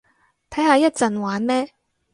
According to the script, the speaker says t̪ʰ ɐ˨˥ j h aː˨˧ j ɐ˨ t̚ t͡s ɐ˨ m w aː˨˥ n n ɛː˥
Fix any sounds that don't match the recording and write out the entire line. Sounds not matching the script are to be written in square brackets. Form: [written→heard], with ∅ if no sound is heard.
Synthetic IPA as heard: t̪ʰ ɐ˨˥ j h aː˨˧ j [ɐ˨→ɐ˥] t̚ t͡s ɐ˨ [m→n] w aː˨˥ n [n→m] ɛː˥